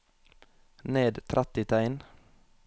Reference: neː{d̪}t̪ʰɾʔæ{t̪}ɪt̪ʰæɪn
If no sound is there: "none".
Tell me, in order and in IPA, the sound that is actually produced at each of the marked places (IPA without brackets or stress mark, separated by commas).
d̪, t̪